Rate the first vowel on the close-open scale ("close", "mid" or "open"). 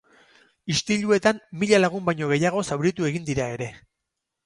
close